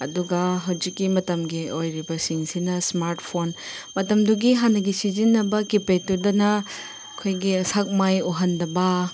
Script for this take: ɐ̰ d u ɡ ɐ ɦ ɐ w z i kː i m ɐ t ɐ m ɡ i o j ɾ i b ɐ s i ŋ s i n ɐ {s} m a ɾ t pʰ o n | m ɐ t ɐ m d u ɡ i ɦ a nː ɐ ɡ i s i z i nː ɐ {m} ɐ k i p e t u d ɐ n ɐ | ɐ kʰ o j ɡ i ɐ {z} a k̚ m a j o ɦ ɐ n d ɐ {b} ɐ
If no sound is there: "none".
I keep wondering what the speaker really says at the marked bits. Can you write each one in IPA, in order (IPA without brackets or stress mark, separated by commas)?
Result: s, b, s, b